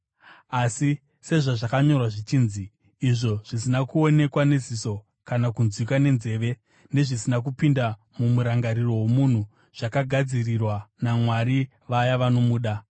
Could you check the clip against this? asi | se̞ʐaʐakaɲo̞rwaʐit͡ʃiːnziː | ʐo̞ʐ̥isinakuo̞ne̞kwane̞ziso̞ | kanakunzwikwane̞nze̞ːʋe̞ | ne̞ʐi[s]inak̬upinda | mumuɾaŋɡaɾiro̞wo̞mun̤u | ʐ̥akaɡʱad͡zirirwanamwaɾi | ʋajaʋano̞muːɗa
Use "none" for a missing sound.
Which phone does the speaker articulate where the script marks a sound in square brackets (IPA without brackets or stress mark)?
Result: s